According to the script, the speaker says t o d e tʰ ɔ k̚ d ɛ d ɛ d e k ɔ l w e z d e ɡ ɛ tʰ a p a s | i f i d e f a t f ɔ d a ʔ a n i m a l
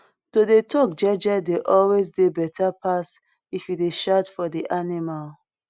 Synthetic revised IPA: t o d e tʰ ɔ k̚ d͡ʒ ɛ d͡ʒ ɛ d e ʔ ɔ l w e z d e b ɛ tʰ a p a s | i f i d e ʃ a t f ɔ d i ʔ a n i m a l